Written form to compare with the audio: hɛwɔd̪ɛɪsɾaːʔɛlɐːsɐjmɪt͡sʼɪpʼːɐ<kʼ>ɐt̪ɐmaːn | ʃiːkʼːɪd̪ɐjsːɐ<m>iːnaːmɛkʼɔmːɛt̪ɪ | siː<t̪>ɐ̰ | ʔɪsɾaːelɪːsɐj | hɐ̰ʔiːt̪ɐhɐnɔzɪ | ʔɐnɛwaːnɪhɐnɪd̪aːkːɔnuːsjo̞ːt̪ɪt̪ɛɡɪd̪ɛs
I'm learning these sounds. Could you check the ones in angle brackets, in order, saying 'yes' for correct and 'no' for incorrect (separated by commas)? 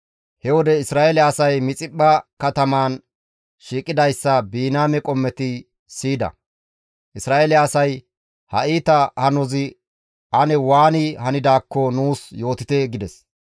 no, no, no